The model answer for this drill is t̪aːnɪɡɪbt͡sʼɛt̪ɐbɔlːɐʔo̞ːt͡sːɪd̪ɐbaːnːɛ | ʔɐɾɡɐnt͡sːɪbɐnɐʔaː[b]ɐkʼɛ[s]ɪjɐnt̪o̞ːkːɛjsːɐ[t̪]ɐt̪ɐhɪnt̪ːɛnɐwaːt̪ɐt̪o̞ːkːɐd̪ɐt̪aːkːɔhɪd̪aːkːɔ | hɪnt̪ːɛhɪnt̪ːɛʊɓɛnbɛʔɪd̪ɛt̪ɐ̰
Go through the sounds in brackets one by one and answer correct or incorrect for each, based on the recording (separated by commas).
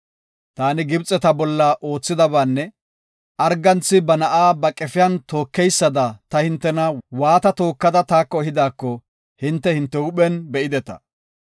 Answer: correct, incorrect, incorrect